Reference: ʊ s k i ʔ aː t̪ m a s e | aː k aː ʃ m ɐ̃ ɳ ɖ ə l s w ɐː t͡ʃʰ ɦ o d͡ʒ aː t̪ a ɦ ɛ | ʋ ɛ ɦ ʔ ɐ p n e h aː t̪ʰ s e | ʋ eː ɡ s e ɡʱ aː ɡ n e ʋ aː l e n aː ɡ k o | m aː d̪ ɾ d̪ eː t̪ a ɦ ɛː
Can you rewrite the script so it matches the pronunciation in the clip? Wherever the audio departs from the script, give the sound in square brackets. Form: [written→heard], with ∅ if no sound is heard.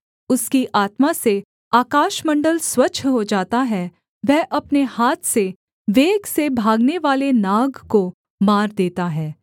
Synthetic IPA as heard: ʊ s k i ʔ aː t̪ m a s e | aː k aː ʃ m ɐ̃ ɳ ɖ ə l s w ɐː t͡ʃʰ ɦ o d͡ʒ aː t̪ a ɦ ɛ | ʋ ɛ ɦ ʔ ɐ p n e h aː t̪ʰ s e | ʋ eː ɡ s e [ɡʱ→bʱ] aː ɡ n e ʋ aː l e n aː ɡ k o | m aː [d̪→∅] ɾ d̪ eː t̪ a ɦ ɛː